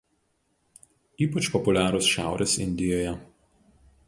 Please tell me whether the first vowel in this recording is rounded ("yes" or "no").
no